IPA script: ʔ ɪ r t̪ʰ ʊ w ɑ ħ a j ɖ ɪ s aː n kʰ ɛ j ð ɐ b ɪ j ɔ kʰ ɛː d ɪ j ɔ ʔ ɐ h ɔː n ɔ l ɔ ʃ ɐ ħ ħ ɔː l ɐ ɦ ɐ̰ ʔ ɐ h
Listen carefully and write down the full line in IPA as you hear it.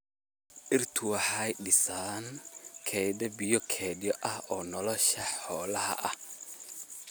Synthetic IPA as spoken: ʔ ɪ r t̪ʰ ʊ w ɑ ħ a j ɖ ɪ s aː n kʰ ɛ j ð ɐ b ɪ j ɔ kʰ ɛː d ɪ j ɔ ʔ ɐ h ɔː n ɔ l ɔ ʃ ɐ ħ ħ ɔː l ɐ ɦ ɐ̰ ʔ ɐ h